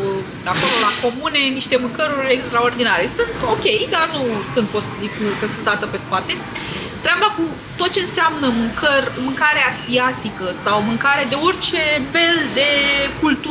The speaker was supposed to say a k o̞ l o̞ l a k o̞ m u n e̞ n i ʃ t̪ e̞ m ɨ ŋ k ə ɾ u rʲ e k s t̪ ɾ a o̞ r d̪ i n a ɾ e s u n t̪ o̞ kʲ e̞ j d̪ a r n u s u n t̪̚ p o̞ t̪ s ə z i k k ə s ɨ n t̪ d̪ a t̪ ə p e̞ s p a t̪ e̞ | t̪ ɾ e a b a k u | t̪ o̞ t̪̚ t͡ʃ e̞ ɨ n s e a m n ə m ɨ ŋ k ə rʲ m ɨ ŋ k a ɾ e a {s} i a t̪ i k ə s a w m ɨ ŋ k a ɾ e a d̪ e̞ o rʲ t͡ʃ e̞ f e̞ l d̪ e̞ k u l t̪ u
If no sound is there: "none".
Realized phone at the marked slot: s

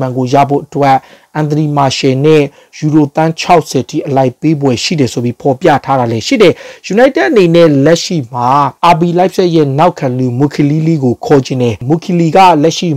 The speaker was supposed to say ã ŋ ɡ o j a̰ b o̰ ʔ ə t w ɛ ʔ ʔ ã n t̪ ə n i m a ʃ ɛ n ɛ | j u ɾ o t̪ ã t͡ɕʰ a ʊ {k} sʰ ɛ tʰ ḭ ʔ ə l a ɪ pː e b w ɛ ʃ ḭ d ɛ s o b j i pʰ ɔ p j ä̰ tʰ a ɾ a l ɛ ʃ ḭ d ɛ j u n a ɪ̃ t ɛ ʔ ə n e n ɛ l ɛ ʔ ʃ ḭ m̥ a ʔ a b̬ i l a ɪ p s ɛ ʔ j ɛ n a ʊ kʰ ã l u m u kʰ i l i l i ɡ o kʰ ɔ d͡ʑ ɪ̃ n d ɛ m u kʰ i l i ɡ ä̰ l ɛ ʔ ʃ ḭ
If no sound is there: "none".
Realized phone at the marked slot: ʔ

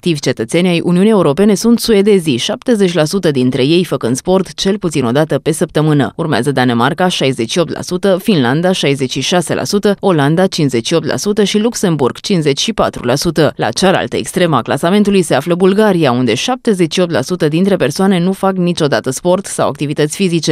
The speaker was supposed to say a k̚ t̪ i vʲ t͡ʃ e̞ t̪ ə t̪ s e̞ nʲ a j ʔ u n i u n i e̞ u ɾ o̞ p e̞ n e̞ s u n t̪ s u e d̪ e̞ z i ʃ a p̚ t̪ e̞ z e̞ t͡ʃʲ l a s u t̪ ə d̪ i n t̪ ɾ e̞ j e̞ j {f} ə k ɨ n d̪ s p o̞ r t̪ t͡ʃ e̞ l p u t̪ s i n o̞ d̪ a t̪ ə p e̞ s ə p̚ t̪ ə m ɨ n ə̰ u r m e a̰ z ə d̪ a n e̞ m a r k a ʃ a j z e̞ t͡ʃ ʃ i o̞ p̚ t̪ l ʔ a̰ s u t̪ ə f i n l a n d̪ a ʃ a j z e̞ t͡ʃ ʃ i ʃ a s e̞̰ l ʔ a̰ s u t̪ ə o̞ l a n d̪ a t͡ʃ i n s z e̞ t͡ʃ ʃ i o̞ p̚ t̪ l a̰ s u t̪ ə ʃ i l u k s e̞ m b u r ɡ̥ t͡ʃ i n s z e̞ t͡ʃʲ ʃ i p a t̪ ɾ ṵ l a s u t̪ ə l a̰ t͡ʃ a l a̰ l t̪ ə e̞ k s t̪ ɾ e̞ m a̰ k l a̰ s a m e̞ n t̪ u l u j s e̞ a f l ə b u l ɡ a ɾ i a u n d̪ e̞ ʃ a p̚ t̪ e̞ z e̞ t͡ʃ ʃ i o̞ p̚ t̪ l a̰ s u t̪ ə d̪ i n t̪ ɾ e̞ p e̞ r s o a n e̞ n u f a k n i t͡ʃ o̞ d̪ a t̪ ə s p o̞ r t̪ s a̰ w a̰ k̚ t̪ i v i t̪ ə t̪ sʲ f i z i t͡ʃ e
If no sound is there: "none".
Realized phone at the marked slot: f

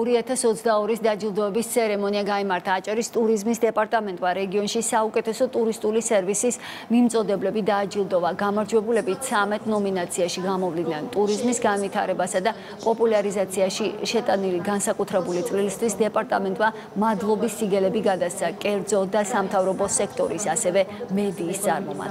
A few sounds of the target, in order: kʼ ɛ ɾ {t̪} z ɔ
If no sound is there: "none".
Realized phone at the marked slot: d̪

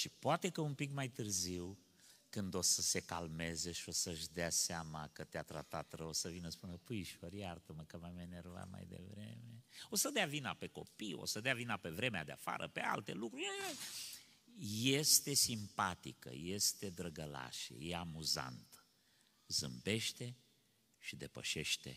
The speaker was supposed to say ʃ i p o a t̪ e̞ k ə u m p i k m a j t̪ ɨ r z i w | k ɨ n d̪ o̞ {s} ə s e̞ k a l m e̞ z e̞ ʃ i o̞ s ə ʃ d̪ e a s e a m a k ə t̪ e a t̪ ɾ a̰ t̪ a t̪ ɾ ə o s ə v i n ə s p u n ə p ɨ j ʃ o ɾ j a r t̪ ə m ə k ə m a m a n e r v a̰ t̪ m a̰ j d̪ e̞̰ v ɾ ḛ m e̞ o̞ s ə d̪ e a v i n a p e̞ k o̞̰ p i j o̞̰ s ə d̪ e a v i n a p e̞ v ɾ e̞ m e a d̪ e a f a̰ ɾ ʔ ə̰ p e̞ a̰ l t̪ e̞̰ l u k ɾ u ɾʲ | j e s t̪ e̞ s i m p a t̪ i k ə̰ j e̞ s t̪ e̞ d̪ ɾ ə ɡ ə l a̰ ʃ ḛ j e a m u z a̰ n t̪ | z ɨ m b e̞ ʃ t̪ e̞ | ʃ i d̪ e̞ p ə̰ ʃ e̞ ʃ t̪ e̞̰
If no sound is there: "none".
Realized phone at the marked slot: s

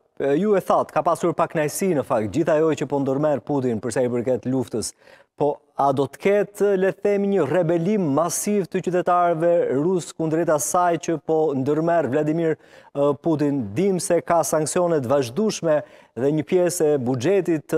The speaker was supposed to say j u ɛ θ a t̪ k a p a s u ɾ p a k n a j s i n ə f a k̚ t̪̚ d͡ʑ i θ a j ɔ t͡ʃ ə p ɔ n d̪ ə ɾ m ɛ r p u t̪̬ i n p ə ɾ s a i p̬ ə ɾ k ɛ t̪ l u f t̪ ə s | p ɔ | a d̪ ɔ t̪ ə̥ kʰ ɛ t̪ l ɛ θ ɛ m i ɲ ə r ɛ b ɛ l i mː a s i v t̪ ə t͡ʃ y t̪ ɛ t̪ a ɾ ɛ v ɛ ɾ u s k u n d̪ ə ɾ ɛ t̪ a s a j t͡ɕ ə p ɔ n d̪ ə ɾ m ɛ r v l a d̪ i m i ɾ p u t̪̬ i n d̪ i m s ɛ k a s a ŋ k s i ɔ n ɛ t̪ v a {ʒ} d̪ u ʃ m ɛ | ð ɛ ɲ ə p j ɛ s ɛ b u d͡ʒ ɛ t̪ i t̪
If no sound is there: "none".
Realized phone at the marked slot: ʒ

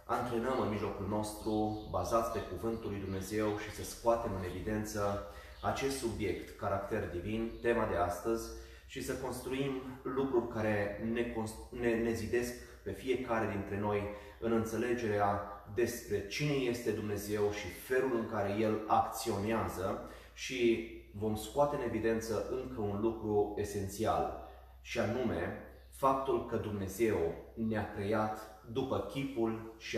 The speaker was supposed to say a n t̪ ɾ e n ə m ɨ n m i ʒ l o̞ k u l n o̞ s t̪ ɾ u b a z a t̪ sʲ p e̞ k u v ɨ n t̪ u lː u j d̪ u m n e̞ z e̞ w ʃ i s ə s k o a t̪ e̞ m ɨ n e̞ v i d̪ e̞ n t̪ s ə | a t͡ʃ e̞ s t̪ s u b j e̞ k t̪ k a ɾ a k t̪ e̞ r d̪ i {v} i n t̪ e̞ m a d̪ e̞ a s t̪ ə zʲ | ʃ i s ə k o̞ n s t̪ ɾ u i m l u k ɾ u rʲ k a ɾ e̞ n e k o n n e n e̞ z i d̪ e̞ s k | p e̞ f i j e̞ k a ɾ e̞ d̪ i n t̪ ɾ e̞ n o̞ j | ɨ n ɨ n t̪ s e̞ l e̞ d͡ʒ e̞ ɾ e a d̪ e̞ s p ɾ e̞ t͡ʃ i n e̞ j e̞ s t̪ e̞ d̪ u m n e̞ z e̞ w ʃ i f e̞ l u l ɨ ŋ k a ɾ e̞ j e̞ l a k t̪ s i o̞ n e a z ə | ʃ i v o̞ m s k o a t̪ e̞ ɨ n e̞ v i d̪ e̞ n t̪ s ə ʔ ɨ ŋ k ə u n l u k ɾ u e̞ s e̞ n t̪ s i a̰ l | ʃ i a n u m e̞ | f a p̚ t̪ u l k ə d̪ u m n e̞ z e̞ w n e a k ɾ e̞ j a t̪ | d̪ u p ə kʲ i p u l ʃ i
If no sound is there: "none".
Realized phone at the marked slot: v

